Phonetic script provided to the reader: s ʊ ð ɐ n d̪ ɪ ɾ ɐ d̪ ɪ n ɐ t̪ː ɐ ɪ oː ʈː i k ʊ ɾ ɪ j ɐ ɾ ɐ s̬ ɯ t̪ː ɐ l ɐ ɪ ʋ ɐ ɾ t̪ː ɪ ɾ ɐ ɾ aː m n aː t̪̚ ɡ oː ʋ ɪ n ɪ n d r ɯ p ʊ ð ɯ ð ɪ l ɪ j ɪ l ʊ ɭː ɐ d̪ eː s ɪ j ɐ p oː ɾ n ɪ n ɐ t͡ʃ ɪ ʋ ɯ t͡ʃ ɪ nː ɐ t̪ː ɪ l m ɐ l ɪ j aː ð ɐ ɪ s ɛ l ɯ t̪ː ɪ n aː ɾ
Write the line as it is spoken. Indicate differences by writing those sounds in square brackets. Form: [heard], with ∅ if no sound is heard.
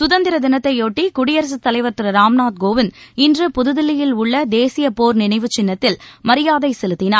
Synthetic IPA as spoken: s ʊ ð ɐ n d̪ ɪ ɾ ɐ d̪ ɪ n ɐ t̪ː ɐ ɪ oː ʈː i k ʊ [ɽ] ɪ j ɐ ɾ ɐ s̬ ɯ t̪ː ɐ l ɐ ɪ ʋ ɐ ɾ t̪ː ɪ ɾ ɐ ɾ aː m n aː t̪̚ ɡ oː ʋ ɪ n ɪ n d r ɯ p ʊ ð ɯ ð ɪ l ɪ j ɪ l ʊ ɭː ɐ d̪ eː s ɪ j ɐ p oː ɾ n ɪ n ɐ [∅] ɪ ʋ ɯ t͡ʃ ɪ nː ɐ t̪ː ɪ l m ɐ [ɾ] ɪ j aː ð ɐ ɪ s ɛ l ɯ t̪ː ɪ n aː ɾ